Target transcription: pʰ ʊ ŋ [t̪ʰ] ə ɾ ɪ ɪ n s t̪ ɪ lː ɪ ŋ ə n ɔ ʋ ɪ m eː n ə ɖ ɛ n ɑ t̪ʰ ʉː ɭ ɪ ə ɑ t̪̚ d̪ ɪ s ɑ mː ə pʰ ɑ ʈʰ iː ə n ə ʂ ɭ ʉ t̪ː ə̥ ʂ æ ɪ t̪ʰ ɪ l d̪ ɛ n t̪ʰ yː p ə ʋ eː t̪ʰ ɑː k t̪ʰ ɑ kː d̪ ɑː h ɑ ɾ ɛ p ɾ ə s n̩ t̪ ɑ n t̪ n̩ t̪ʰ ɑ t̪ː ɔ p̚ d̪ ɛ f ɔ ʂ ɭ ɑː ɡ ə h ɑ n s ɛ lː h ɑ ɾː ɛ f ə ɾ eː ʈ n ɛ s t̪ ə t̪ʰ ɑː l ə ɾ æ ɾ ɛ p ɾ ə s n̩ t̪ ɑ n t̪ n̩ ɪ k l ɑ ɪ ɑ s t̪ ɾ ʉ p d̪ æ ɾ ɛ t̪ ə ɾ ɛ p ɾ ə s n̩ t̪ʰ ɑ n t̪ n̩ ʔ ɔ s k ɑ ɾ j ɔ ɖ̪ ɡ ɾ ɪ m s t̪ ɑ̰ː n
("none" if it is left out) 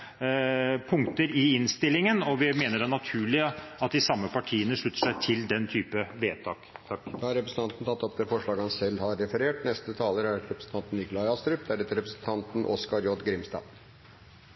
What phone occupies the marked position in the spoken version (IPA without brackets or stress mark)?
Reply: t̪